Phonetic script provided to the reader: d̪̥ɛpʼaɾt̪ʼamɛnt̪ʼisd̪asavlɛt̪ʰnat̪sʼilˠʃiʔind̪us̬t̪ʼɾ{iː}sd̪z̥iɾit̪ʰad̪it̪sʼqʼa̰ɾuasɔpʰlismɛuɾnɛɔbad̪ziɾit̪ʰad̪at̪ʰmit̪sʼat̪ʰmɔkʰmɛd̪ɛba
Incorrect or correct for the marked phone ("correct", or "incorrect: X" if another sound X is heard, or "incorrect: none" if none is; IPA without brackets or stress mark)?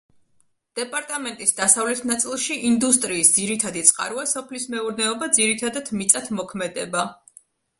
correct